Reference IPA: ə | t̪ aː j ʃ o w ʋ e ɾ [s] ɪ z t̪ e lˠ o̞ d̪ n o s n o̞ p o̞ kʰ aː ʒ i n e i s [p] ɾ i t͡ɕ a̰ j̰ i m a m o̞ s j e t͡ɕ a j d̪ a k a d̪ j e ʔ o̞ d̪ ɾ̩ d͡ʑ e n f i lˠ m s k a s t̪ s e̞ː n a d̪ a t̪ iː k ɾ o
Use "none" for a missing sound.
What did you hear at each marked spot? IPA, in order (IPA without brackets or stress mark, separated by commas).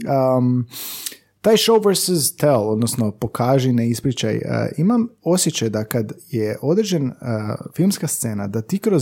s, p